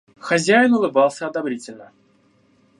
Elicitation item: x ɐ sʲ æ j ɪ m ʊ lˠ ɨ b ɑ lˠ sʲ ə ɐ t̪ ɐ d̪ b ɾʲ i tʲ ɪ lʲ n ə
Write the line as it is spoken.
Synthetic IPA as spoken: x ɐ zʲ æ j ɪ n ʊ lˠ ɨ b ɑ lˠ sʲ ə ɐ d̪ ɐ b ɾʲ i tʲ ɪ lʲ n ə